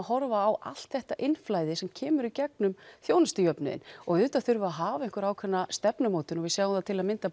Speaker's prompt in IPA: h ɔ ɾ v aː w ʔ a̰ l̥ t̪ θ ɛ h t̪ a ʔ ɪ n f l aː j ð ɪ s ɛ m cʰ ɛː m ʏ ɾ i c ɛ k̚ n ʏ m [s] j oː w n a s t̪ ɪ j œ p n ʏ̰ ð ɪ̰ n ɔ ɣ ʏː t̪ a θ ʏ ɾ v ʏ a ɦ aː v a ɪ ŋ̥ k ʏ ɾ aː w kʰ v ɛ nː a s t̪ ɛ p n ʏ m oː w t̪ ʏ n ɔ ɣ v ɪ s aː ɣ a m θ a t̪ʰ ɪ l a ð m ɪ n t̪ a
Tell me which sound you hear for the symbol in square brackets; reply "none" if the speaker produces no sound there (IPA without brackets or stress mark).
θ